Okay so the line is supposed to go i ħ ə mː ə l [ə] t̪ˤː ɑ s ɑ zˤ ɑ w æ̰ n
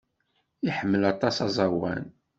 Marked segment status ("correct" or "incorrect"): incorrect